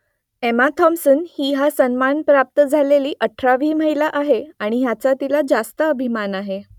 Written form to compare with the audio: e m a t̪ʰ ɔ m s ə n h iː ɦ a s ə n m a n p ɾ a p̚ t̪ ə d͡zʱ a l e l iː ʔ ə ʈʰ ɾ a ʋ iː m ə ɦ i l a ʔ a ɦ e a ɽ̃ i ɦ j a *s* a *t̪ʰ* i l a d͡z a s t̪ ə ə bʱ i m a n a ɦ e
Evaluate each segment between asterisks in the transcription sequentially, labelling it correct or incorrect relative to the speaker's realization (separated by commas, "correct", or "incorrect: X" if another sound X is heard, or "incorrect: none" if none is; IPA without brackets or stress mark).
incorrect: t͡s, incorrect: t̪